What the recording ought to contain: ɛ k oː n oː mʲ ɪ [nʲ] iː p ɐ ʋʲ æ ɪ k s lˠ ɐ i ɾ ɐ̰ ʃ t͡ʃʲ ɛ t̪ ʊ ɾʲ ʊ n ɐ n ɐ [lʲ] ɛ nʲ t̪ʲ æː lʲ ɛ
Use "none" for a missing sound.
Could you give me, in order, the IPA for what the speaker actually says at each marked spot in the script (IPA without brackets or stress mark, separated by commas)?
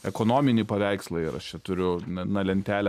nʲ, lʲ